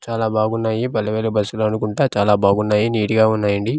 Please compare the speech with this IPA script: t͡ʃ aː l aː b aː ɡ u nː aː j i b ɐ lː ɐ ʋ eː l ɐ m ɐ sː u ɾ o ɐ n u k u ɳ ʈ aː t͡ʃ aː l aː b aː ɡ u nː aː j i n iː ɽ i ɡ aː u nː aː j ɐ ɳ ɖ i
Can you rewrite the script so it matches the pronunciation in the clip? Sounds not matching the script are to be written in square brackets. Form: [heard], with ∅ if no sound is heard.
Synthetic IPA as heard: t͡ʃ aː l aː b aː ɡ u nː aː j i b ɐ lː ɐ ʋ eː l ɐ [b] ɐ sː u [l] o ɐ n u k u ɳ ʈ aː t͡ʃ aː l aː b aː ɡ u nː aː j i n iː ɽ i ɡ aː u nː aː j ɐ ɳ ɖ i